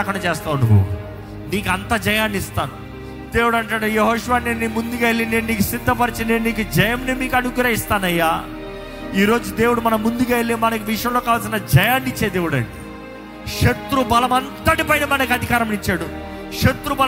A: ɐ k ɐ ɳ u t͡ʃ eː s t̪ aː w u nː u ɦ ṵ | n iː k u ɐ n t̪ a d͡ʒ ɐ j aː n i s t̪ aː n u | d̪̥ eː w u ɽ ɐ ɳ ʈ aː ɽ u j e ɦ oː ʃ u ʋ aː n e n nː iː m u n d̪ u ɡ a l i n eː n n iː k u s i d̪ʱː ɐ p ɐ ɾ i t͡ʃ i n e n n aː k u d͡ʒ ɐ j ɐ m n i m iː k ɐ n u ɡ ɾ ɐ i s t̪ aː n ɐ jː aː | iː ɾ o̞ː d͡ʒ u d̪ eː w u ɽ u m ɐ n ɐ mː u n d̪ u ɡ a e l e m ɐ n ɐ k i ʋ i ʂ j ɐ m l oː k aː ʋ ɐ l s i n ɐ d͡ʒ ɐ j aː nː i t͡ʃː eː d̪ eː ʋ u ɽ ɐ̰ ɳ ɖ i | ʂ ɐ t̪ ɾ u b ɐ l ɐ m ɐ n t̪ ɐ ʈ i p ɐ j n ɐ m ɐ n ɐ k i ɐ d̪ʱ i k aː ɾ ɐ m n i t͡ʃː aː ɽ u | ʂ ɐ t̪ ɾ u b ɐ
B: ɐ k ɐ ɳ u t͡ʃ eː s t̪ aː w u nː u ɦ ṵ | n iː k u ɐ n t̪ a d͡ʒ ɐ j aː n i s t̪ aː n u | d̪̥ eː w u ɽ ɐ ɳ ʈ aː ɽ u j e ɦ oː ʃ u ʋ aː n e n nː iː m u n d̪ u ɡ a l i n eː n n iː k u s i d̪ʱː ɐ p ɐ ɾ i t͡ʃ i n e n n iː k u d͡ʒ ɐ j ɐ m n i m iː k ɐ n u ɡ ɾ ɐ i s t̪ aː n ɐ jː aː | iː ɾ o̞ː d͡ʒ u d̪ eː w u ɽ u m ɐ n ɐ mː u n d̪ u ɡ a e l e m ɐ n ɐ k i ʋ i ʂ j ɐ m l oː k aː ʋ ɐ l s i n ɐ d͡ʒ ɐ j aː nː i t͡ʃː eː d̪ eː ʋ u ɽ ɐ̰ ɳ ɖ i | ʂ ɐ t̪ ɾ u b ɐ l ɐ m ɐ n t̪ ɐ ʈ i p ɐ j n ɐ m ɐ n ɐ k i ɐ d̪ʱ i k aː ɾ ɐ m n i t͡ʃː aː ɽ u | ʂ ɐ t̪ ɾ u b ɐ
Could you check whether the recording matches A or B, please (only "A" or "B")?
B